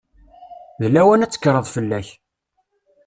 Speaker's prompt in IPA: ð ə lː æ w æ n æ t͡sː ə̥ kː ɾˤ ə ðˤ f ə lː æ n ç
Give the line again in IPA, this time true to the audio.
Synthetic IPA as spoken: ð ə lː æ w æ n æ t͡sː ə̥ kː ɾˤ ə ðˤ f ə lː æ ç